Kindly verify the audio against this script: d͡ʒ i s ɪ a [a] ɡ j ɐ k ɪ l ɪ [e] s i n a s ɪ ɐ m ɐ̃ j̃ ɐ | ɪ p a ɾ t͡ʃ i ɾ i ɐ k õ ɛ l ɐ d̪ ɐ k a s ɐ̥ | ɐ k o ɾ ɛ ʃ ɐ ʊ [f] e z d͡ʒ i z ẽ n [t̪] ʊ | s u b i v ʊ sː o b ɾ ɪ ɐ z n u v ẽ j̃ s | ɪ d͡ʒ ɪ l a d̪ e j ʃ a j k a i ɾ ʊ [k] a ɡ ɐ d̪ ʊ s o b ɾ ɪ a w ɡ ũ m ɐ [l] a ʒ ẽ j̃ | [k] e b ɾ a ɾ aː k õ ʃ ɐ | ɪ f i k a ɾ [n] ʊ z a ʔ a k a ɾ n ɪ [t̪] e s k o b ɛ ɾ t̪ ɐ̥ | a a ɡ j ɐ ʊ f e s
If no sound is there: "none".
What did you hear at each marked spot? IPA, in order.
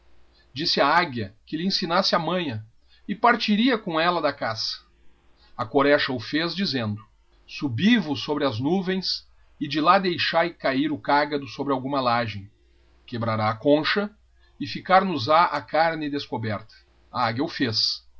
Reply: a, ẽ, f, d̪, k, l, k, n, d̪

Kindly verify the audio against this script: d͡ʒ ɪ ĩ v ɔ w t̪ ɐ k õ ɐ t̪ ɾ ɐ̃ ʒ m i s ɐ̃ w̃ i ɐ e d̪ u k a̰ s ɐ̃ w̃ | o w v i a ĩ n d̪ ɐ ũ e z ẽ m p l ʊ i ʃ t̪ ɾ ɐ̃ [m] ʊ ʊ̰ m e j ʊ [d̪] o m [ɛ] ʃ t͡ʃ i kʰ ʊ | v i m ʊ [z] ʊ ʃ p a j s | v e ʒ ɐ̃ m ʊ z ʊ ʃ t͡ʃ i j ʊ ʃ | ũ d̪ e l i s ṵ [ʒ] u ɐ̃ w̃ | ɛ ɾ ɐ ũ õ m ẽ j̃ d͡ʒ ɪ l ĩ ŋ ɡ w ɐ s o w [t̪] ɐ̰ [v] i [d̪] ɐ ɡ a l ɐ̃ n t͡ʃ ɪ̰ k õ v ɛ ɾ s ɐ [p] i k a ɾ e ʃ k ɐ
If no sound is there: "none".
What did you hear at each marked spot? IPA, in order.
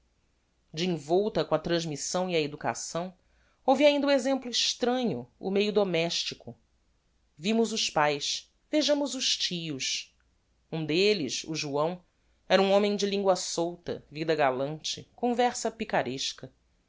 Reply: ɲ, d̪, ɛ, z, ʒ, t̪, v, d̪, p

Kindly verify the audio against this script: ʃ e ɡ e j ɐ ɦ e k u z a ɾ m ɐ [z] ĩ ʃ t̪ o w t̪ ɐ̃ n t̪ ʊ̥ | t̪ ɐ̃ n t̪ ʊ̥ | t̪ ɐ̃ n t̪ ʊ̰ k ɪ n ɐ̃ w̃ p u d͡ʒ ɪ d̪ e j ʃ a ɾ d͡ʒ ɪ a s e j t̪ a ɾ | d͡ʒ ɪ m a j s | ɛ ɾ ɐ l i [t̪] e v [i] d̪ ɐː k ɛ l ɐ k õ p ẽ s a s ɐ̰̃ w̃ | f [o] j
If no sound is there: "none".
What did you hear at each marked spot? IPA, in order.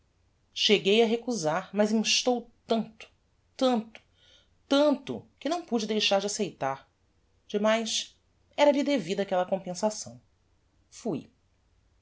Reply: z, d̪, i, u

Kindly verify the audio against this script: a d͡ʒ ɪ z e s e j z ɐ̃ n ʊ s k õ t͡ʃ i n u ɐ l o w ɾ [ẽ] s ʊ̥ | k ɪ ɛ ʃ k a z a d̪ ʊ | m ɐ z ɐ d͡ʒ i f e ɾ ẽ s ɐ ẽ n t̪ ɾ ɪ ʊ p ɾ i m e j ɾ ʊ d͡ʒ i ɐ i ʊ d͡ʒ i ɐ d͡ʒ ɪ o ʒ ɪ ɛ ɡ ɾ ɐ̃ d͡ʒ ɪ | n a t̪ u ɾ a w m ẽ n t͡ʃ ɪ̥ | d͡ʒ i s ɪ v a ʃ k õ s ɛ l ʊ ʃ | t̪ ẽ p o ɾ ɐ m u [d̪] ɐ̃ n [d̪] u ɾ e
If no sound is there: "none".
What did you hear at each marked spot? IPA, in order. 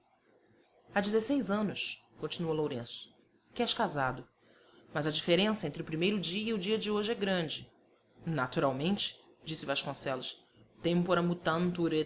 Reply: ẽ, t̪, t̪

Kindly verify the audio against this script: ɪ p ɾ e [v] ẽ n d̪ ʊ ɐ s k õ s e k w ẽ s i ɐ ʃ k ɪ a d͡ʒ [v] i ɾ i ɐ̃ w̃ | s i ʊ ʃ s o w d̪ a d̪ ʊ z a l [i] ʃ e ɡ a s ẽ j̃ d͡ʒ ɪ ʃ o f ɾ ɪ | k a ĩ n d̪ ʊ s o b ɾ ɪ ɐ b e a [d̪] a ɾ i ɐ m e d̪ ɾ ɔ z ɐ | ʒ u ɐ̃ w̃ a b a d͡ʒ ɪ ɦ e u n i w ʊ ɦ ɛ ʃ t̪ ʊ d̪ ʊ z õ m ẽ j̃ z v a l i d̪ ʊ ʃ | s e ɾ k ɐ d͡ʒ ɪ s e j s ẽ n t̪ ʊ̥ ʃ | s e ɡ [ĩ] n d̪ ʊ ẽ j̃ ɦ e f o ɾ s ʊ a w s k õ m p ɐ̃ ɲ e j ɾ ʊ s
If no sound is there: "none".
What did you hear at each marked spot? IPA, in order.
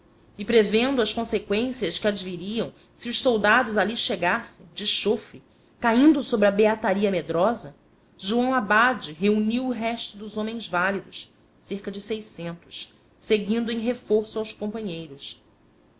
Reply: v, v, i, t̪, ĩ

